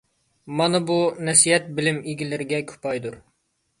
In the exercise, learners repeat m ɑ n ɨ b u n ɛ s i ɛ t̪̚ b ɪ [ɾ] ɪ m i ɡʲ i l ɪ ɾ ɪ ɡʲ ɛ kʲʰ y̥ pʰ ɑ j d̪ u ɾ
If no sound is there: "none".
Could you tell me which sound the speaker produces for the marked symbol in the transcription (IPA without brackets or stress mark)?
l